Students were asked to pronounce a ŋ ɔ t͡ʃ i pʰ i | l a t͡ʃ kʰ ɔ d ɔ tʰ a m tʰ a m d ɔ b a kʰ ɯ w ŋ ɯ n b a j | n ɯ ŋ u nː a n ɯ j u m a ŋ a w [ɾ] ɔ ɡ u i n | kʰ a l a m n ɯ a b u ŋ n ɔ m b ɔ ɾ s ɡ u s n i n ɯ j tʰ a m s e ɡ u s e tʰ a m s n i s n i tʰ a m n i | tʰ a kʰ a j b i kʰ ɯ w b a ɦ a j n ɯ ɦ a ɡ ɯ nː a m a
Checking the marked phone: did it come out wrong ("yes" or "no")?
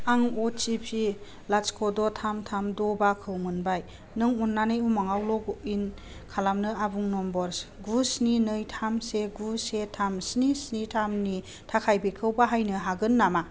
yes